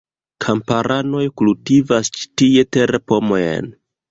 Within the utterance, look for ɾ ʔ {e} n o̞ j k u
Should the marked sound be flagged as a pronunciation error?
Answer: yes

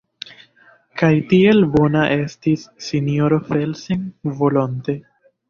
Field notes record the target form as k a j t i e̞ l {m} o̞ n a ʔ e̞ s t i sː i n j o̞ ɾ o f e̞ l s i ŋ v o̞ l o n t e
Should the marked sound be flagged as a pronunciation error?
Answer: yes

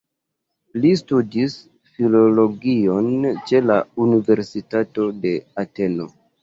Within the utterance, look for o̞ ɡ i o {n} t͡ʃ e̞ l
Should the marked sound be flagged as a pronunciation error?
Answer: no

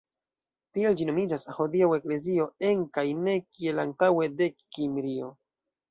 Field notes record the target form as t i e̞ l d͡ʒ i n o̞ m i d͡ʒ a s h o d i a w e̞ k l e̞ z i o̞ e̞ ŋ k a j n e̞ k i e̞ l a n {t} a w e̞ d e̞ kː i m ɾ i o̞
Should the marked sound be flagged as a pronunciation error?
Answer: no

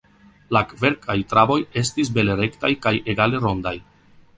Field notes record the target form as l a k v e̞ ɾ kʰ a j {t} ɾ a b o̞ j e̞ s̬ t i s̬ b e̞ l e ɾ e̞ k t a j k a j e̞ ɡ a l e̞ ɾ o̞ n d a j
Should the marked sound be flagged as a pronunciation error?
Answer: no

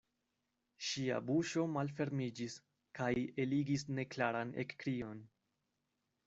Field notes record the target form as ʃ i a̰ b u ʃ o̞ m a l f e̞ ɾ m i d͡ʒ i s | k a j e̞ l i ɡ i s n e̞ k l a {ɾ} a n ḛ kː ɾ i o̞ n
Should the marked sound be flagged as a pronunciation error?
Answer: no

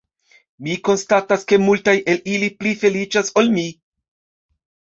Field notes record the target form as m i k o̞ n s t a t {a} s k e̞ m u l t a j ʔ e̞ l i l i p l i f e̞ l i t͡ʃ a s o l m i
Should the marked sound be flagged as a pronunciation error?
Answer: no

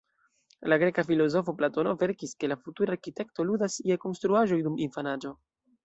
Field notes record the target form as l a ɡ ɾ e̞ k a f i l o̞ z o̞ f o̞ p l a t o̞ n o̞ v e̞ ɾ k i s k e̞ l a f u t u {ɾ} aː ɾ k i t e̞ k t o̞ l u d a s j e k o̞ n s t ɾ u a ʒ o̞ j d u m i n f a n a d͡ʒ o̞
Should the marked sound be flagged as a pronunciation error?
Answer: no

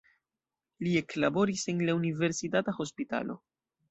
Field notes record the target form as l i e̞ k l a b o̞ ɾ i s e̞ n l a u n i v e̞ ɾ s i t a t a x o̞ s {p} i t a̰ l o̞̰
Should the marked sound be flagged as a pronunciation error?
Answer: no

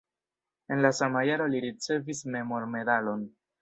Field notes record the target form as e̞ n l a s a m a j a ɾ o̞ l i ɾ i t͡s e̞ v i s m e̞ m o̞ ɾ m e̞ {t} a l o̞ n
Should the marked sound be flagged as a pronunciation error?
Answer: yes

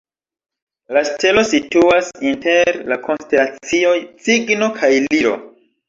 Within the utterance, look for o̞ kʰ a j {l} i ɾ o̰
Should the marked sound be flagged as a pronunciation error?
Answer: no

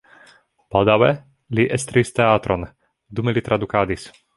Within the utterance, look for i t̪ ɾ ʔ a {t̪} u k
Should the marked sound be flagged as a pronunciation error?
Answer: yes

